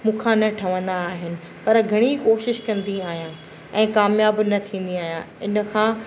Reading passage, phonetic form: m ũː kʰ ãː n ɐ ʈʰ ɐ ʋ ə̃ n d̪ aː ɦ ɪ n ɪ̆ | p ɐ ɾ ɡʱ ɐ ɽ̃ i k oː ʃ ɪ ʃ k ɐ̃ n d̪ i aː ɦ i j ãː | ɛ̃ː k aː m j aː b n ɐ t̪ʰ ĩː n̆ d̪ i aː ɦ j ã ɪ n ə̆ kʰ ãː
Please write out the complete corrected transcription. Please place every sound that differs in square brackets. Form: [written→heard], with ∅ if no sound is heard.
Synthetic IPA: m ũː kʰ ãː n ɐ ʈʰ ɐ ʋ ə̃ n d̪ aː ɦ ɪ n ɪ̆ | p ɐ ɾ ɡʱ ɐ ɽ̃ i k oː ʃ ɪ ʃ k ɐ̃ n d̪ i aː ɦ i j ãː | ɛ̃ː k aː m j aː b n ɐ t̪ʰ ĩː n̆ d̪ i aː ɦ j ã ɪ n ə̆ kʰ ãː